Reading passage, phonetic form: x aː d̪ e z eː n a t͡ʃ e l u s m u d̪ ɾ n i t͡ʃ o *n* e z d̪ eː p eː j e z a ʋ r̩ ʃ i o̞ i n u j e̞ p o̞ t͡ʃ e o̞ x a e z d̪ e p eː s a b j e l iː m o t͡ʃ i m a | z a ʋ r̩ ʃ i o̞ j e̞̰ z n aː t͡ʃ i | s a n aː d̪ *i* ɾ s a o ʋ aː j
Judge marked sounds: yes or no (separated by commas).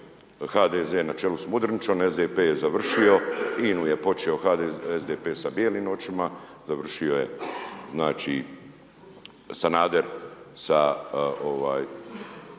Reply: yes, no